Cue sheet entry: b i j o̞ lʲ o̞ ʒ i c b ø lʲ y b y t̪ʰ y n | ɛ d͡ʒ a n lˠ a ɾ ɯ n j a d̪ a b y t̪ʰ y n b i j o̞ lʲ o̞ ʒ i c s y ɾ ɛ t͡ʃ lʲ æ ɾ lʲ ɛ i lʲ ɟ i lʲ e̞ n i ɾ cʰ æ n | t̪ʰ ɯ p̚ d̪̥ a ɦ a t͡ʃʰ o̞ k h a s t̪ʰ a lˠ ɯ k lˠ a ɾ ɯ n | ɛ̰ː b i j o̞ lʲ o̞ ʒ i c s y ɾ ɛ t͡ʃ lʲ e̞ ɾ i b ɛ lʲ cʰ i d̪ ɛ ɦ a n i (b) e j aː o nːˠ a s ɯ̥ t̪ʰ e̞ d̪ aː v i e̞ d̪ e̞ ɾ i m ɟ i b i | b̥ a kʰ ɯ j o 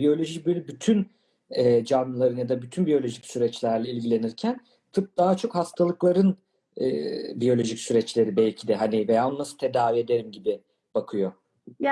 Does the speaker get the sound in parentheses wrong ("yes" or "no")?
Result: yes